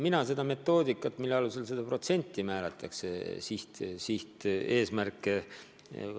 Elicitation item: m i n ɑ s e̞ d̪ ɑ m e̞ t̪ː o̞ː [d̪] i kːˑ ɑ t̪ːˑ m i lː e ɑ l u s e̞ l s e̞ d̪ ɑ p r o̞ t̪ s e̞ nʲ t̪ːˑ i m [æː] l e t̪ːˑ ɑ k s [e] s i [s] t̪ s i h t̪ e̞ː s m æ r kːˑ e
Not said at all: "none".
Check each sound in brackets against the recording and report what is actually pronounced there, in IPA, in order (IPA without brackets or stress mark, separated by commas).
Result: d̪, æː, e, h